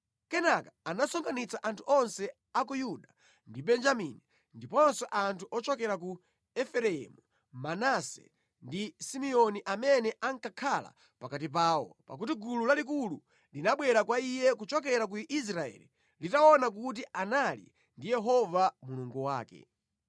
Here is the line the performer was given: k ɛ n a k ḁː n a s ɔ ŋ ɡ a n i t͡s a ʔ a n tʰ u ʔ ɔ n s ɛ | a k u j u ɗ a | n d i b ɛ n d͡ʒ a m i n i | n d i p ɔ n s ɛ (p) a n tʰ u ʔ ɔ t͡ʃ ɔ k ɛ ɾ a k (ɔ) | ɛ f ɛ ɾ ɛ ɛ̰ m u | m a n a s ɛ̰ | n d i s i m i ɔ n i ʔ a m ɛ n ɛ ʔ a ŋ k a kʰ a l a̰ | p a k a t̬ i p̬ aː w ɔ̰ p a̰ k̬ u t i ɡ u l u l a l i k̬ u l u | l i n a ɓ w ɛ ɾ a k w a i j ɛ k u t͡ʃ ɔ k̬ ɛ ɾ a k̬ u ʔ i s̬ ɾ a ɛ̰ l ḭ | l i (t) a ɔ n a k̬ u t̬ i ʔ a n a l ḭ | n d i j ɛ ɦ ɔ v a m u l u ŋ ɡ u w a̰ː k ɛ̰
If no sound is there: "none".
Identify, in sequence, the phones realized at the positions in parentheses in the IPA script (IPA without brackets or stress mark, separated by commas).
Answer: ʔ, u, t